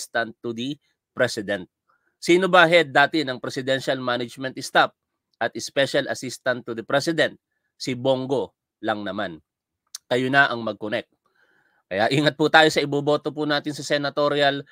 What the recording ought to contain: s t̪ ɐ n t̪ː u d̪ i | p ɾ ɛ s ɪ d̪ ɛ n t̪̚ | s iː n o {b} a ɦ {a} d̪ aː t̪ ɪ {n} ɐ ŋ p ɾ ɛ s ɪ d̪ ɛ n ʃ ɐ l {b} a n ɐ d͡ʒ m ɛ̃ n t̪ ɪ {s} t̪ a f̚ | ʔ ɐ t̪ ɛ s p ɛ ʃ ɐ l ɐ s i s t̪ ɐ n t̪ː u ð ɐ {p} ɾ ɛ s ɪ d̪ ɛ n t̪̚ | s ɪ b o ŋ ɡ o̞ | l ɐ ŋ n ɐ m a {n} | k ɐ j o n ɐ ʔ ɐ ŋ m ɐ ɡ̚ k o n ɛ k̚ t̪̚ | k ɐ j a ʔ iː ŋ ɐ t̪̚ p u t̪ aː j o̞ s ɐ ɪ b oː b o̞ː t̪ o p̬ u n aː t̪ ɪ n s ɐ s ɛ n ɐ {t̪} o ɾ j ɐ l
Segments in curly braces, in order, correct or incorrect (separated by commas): correct, incorrect, correct, incorrect, correct, correct, correct, correct